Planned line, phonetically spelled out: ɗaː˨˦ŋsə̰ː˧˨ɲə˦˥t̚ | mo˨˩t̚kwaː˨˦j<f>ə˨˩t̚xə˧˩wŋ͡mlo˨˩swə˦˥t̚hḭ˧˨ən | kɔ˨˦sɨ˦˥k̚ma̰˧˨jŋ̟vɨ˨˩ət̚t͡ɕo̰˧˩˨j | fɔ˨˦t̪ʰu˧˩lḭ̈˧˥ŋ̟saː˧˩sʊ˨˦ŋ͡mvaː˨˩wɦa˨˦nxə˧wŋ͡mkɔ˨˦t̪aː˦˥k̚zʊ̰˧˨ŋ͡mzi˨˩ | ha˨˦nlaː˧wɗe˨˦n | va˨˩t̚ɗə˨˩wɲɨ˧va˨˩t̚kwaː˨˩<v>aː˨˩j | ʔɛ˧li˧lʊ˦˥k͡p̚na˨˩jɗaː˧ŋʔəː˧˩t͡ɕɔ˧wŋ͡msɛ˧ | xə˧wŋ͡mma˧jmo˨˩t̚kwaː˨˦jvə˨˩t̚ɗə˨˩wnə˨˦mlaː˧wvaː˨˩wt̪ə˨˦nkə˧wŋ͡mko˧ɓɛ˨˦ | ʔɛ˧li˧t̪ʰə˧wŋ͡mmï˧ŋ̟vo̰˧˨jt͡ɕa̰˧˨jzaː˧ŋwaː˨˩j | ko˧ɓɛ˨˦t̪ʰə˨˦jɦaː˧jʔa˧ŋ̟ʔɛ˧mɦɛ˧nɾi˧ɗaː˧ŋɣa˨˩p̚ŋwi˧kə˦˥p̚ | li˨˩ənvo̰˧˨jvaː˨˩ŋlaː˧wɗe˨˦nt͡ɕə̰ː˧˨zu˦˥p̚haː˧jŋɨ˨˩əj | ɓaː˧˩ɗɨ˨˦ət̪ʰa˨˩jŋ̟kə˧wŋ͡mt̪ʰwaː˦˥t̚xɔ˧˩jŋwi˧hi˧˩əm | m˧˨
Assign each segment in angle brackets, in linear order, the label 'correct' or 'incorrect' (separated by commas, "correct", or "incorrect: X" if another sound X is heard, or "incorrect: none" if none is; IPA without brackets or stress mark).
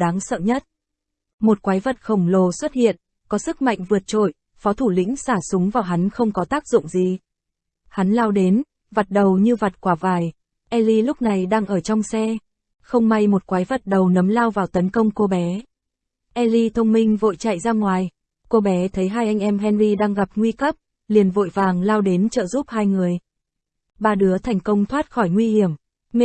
incorrect: v, correct